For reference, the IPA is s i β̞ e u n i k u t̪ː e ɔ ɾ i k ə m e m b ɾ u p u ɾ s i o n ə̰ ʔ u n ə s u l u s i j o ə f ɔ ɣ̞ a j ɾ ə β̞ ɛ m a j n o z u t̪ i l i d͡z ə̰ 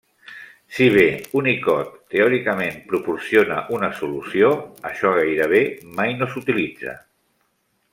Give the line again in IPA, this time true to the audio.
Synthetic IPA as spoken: s i β̞ e u n i k ɔ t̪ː e ɔ ɾ i k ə m e m p ɾ u p u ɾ s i o n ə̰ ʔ u n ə s u l u s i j o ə ʃ ɔ ɣ̞ a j ɾ ə β̞ e m a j n o s u t̪ i l i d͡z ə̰